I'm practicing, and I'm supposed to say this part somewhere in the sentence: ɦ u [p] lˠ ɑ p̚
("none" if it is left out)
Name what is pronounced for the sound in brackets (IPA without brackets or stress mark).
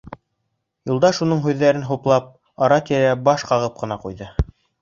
p